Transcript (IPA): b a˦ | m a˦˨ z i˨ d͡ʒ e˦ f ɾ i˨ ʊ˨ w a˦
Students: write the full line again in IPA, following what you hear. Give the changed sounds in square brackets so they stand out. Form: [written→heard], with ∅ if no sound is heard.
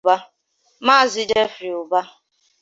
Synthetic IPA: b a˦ | m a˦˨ z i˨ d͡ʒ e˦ f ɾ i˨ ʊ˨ [w→b] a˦